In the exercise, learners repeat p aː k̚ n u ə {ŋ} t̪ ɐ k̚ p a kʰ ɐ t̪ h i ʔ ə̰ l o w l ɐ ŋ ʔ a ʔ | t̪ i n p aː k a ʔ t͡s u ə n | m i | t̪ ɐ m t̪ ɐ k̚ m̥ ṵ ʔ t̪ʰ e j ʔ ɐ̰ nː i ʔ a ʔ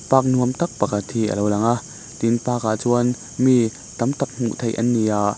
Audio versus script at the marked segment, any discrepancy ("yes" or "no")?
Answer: yes